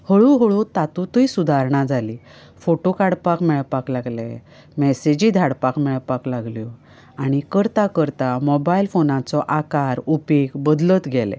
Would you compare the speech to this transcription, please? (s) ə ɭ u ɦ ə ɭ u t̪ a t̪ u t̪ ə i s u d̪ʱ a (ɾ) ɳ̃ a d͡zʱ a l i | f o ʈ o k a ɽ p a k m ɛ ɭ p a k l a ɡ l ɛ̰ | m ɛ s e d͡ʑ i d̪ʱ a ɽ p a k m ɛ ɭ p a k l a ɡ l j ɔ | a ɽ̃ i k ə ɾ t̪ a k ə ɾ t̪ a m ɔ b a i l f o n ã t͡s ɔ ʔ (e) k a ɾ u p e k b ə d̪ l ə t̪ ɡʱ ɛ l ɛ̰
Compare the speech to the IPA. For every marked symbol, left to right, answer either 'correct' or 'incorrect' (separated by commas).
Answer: incorrect, correct, incorrect